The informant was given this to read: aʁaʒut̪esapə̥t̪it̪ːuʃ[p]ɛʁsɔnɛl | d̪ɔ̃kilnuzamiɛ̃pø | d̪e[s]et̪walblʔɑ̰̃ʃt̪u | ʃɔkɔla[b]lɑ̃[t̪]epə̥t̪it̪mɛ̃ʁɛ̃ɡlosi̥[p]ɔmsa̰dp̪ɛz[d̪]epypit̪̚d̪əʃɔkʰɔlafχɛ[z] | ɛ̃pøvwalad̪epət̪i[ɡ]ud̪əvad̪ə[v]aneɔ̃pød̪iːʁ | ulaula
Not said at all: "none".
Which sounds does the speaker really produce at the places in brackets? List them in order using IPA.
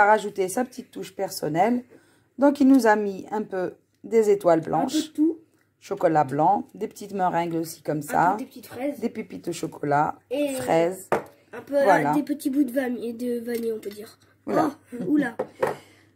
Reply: p, z, b, d̪, k, d̪, z, b, v

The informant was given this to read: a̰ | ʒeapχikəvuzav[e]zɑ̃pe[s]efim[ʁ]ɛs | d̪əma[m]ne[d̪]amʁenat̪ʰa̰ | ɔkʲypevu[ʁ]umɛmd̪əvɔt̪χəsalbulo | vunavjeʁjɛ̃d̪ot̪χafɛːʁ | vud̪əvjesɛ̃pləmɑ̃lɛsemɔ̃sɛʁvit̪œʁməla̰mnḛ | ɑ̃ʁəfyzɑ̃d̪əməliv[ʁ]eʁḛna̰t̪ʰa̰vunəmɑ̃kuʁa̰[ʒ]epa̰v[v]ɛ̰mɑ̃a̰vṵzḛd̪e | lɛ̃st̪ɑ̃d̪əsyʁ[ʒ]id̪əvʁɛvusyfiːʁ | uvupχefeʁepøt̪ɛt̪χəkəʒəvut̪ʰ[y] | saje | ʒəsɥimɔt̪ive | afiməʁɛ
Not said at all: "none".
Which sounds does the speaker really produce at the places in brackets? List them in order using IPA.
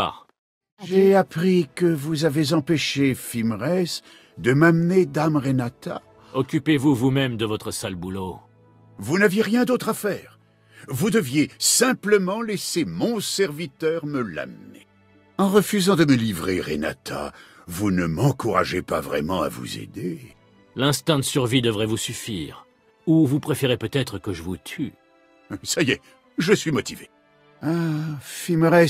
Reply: e, ʃ, ʁ, m, d̪, v, ʁ, ʒ, ʁ, v, y

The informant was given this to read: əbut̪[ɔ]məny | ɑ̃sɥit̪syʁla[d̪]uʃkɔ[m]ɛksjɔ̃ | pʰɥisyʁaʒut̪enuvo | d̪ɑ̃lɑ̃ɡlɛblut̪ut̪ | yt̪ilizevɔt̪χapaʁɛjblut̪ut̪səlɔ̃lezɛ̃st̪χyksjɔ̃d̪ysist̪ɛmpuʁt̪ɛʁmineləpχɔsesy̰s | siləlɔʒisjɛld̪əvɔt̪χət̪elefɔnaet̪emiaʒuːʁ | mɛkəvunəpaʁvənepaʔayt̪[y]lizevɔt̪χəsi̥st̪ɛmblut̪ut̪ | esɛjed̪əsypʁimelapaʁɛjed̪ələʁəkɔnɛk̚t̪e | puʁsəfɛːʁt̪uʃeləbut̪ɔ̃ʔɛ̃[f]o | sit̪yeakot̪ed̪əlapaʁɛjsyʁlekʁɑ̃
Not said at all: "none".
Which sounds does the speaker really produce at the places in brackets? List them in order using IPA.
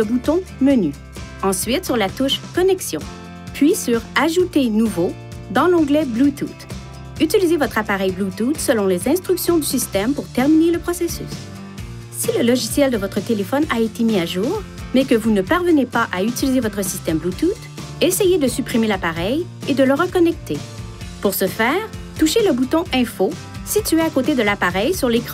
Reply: ɔ̃, t̪, n, i, f

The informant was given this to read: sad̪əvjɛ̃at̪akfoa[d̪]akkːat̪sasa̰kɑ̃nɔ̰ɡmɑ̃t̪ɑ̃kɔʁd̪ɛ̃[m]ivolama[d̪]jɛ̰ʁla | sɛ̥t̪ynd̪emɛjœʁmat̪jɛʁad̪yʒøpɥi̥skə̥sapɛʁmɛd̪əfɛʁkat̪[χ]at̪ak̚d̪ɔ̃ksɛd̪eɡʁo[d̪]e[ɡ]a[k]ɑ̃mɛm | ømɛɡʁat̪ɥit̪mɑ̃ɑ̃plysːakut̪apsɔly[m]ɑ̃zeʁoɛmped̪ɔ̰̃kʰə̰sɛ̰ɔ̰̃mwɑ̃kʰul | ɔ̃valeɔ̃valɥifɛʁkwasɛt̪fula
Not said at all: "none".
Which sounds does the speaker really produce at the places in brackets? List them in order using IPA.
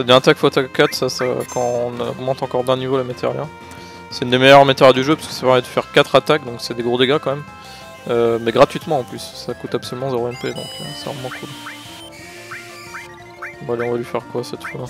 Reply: t̪, n, t̪, χ, d̪, ɡ, k, m

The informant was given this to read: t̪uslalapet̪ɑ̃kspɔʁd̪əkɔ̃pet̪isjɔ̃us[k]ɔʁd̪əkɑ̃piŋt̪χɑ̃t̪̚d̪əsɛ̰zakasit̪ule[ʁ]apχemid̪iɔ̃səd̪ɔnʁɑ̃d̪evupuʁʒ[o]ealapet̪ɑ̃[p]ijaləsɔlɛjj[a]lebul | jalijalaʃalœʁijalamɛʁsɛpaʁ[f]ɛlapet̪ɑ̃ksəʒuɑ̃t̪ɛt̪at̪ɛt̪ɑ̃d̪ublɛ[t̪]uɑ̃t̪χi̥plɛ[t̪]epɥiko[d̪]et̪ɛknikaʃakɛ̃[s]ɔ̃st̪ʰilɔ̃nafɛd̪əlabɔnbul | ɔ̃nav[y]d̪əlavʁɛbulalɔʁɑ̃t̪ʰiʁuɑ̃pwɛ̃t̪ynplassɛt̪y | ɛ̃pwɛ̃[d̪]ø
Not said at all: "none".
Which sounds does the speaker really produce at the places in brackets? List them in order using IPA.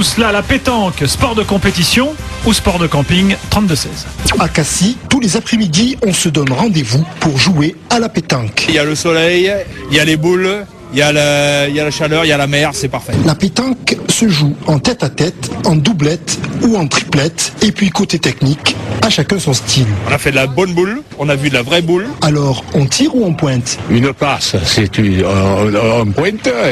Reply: p, z, u, k, a, f, t̪, t̪, t̪, s, y, t̪

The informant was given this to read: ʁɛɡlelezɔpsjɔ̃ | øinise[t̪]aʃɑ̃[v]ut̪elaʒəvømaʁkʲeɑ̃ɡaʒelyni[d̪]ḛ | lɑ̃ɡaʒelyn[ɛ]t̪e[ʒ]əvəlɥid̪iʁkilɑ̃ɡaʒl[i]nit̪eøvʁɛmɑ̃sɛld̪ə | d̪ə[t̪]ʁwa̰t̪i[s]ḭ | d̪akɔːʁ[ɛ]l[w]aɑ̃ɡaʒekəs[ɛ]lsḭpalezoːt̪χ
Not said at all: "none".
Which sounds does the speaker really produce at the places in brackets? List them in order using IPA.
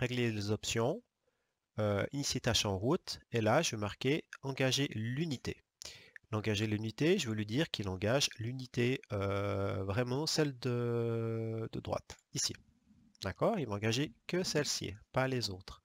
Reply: t̪, ʁ, t̪, i, ʒ, y, d̪, s, i, v, ɛ

